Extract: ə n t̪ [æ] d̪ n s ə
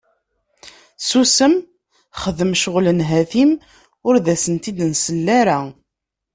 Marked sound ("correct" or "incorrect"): incorrect